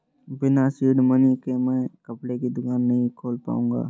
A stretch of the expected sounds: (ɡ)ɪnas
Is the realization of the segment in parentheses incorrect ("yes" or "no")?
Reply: yes